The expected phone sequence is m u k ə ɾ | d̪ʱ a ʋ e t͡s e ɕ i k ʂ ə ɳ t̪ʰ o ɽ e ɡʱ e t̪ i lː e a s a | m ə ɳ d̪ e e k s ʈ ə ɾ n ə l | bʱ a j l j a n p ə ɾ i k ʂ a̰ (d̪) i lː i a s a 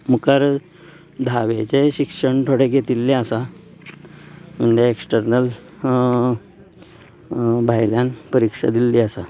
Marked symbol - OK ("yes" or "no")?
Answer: yes